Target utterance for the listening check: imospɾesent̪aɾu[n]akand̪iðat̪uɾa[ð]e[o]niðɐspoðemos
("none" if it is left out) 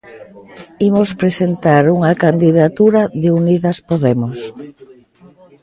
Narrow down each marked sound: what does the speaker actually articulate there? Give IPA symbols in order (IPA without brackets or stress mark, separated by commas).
ŋ, ð, u